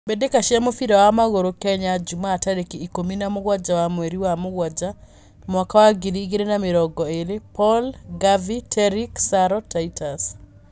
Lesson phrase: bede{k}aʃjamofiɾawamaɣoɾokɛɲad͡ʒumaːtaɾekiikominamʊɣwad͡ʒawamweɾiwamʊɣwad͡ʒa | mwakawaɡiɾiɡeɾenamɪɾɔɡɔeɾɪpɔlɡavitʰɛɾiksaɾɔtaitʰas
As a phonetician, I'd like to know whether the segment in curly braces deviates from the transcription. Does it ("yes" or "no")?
no